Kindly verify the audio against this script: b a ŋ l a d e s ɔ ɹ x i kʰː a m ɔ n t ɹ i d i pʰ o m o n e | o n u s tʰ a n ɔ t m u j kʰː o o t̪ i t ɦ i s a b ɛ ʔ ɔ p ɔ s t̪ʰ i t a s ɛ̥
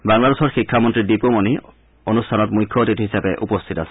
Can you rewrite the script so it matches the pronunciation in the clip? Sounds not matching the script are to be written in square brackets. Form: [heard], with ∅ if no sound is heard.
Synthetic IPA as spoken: b a ŋ l a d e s ɔ ɹ x i kʰː a m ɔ n t ɹ i d i [p] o m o n [i] | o n u s tʰ a n ɔ t m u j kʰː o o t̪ i t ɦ i s a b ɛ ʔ [u] p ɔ s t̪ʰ i t a s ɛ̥